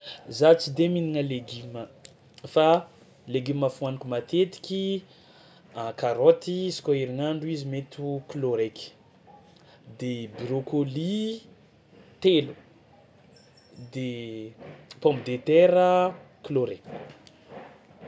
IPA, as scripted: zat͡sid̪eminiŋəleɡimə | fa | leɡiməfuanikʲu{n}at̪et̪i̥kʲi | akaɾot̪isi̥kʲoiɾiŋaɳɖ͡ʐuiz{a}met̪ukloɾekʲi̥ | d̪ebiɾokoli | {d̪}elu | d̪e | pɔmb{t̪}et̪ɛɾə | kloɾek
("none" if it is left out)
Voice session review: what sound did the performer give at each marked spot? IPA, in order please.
m, i, t̪, d̪

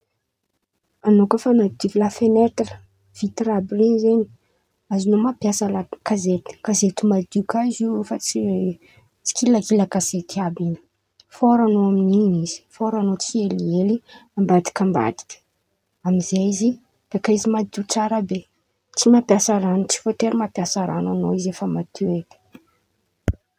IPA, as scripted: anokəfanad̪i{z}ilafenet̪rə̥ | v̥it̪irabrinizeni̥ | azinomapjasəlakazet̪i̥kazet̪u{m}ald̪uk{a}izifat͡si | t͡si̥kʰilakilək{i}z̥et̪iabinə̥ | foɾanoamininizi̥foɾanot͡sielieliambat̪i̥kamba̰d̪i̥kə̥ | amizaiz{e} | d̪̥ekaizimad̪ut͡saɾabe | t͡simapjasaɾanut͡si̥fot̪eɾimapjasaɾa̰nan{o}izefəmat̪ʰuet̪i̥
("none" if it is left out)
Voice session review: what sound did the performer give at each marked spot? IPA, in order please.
v, m, a, a, i, o

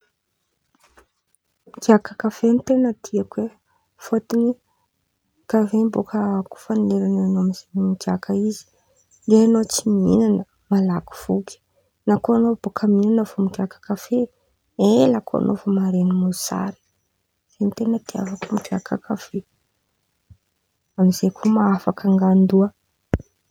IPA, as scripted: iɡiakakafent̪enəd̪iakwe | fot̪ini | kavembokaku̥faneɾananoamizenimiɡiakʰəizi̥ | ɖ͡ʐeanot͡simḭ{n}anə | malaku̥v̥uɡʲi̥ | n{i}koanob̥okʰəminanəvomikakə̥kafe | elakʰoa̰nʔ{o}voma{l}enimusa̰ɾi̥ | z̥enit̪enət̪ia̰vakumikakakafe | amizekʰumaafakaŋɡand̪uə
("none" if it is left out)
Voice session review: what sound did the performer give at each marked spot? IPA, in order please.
n, a, o, ɾ

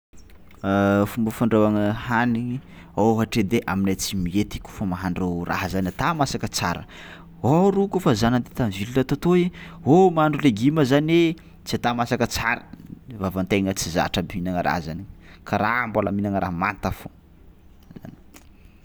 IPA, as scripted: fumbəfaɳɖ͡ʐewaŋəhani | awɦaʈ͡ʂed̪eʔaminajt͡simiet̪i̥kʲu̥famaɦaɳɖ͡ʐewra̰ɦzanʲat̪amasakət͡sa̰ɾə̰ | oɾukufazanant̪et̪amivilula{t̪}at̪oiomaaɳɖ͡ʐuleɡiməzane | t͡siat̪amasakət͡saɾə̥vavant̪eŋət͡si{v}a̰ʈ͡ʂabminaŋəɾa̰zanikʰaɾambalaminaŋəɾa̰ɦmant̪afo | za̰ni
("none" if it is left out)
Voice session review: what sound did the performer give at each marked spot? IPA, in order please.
t̪, z

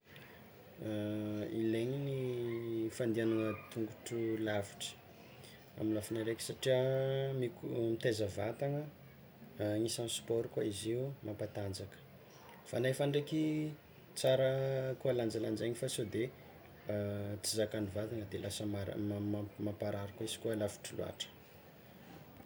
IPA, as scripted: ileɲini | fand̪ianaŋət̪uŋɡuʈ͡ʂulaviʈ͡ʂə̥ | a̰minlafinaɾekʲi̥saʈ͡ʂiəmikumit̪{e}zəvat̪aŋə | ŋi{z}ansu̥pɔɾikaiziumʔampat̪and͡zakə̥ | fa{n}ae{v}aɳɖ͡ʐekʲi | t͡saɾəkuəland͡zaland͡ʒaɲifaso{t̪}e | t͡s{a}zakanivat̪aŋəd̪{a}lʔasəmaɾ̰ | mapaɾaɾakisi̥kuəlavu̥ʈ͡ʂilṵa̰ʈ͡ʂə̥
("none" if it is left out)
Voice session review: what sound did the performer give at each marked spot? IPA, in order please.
e, s, n, f, d̪, i, e

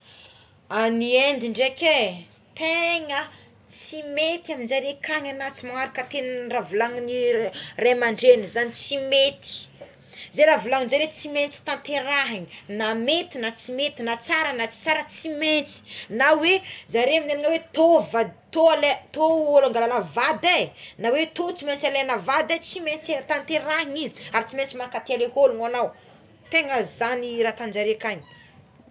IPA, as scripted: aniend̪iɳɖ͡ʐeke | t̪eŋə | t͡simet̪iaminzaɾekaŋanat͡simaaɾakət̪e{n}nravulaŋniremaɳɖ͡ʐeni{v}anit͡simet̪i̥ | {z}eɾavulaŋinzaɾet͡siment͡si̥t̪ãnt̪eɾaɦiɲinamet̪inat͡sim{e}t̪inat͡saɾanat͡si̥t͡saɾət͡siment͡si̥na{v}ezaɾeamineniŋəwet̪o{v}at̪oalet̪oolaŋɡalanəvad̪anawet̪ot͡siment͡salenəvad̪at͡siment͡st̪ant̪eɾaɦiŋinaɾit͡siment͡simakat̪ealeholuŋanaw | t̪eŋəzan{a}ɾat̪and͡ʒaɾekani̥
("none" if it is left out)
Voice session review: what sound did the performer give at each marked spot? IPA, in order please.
n, z, z, e, w, v, i

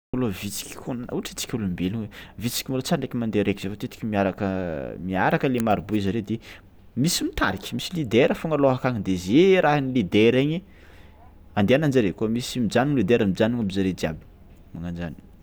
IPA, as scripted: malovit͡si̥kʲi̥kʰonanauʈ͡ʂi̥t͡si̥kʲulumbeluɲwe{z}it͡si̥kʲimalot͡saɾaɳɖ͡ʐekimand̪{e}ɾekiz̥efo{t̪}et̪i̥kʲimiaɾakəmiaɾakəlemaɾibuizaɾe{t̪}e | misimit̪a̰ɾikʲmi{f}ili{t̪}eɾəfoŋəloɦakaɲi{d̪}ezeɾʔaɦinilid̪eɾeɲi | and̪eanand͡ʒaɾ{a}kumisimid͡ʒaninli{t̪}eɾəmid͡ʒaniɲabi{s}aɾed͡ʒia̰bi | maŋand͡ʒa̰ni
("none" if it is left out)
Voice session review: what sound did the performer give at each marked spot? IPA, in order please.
v, e, t̪, d̪, s, d̪, d̪, e, d̪, z

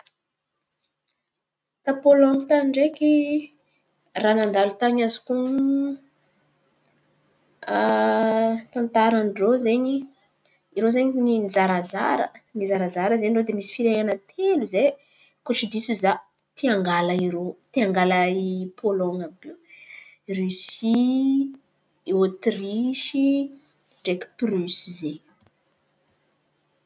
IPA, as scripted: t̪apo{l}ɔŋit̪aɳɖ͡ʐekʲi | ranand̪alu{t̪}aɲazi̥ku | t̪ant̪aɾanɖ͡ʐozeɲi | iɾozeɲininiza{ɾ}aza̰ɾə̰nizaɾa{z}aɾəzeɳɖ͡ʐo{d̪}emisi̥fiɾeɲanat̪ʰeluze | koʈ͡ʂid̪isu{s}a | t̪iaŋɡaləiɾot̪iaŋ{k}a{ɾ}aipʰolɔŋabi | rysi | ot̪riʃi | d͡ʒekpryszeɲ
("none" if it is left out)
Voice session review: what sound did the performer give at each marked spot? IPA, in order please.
l, t̪, ɾ, z, d̪, z, ɡ, l

